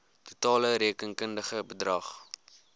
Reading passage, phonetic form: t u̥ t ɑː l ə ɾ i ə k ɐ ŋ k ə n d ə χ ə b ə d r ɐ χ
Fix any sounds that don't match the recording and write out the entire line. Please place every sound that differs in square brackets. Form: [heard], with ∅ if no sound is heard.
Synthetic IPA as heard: t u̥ t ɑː l ə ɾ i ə k [ə] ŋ k ə n d ə χ ə b ə d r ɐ χ